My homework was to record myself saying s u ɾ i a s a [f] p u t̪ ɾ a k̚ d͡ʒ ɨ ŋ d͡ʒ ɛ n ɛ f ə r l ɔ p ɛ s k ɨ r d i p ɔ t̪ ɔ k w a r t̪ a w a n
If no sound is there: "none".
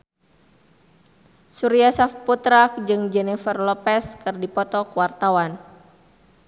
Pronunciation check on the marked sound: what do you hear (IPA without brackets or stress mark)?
f